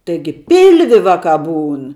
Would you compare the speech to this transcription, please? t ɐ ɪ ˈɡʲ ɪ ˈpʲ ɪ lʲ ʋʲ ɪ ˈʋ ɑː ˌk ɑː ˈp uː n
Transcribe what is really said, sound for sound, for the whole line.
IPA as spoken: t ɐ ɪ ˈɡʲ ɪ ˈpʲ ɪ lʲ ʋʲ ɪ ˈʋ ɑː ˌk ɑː ˈb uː n